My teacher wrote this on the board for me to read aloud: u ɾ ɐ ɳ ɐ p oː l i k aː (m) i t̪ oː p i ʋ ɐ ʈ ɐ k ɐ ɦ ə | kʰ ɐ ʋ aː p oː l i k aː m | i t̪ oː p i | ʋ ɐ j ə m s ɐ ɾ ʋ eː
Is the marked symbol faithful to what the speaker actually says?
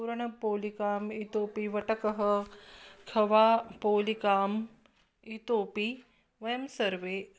yes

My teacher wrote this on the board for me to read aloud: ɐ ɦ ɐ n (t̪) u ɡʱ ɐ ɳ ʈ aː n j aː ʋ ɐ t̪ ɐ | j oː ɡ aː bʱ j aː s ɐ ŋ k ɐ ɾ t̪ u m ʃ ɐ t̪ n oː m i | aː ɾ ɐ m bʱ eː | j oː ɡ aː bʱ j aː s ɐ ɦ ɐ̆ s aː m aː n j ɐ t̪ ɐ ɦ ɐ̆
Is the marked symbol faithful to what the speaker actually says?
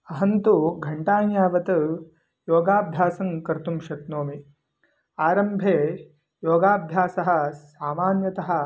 yes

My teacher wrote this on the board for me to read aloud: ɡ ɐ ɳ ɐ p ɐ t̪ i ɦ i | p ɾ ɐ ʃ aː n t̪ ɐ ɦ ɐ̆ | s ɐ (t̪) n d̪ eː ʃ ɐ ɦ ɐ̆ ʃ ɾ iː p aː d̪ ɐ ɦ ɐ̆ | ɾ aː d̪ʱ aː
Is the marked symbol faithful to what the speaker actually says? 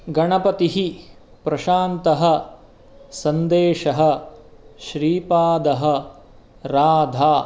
no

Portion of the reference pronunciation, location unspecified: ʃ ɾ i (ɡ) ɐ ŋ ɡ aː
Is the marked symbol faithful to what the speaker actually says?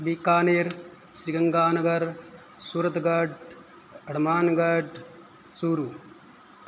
yes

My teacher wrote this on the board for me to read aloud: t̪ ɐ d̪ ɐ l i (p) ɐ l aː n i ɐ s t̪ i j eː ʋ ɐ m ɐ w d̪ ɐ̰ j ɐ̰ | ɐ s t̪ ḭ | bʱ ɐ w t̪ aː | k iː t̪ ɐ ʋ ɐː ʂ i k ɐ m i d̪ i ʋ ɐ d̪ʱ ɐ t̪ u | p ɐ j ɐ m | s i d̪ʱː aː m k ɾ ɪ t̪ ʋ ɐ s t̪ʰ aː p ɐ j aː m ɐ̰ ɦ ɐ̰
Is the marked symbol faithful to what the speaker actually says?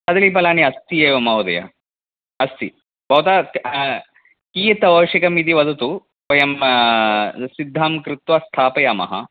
yes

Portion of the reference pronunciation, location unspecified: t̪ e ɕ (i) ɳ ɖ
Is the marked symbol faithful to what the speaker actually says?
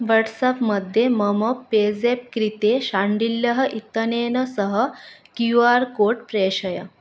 no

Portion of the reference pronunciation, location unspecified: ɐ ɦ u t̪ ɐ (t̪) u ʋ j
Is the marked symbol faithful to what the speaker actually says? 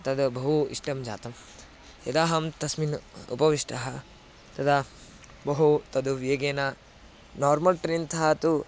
no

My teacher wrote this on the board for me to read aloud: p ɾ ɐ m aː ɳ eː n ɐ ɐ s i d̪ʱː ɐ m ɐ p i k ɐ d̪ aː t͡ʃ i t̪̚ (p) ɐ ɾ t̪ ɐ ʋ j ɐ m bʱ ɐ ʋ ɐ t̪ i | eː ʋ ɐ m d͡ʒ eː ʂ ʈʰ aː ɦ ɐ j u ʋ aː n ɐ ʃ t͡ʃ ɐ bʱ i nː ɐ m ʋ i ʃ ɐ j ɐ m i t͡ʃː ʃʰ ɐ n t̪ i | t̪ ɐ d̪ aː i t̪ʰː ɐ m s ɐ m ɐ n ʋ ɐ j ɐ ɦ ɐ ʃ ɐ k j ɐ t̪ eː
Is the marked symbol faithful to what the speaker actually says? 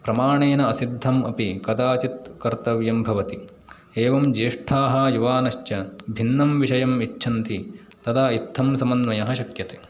no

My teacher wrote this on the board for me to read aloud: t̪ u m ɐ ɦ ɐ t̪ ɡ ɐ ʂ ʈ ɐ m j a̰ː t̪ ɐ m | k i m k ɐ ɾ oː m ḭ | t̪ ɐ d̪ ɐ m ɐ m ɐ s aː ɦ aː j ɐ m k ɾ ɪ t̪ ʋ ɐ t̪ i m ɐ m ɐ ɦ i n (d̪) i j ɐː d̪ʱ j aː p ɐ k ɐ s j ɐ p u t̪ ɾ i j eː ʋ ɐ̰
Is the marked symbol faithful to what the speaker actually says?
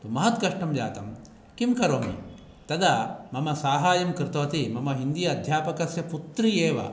yes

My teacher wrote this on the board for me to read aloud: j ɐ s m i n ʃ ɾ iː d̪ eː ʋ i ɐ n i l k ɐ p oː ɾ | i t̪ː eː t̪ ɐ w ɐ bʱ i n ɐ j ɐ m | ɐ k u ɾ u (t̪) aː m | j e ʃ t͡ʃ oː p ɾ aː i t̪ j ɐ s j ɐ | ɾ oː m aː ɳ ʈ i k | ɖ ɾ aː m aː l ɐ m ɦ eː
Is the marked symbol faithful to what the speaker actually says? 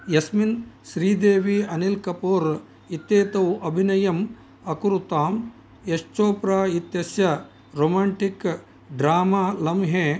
yes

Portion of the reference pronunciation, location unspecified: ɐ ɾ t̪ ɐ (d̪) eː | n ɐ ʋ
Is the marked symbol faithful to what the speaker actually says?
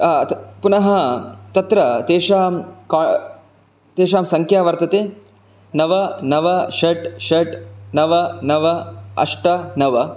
no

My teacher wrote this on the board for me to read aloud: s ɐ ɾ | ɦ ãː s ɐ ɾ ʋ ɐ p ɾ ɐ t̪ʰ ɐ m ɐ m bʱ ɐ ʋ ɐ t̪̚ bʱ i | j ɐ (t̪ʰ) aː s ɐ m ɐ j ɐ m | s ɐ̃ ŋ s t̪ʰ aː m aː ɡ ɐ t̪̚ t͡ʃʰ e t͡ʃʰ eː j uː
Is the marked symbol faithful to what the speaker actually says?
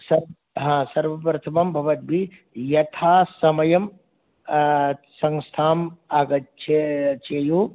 yes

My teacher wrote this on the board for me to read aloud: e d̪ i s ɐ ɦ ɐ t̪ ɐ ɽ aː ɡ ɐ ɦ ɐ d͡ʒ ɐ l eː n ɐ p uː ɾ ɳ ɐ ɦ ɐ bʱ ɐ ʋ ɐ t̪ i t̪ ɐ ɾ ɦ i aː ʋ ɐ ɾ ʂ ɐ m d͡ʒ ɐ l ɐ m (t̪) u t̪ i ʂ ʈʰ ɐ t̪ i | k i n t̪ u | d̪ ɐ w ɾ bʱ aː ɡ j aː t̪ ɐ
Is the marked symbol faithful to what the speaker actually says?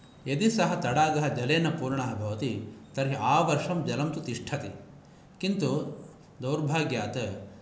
yes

